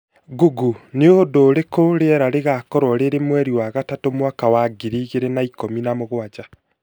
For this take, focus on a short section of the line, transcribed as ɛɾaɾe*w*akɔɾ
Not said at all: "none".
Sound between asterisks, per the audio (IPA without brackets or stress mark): ɣ